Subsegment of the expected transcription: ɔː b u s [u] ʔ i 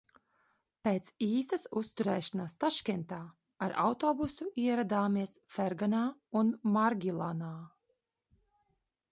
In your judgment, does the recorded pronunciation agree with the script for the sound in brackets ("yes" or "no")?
yes